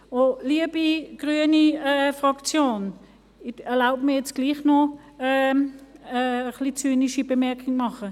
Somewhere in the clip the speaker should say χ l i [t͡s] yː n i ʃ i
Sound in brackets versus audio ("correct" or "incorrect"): correct